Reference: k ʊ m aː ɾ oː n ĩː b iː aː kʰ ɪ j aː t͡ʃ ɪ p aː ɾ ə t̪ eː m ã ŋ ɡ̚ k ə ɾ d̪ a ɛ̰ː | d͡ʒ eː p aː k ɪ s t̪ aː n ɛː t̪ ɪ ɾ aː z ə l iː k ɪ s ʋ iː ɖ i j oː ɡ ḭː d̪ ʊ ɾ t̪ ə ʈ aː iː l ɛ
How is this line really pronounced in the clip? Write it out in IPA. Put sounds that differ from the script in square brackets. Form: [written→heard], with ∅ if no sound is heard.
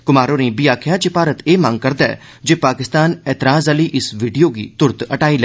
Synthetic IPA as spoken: k ʊ m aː ɾ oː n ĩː b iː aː kʰ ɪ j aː t͡ʃ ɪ p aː ɾ ə t̪ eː m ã ŋ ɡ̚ k ə ɾ d̪ a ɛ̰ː | d͡ʒ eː p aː k ɪ s t̪ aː n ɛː t̪ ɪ ɾ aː z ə l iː [k→ʔ] ɪ s ʋ iː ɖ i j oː ɡ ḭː [d̪→t̪] ʊ ɾ t̪ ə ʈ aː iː l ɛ